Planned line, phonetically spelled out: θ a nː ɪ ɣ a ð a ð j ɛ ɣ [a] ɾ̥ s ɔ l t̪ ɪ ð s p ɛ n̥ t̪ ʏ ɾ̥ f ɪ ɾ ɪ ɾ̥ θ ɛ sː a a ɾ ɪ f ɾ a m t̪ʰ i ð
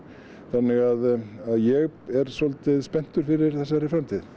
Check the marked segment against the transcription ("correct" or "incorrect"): incorrect